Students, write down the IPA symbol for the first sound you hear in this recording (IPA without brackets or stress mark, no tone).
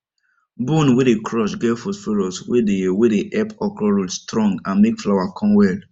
b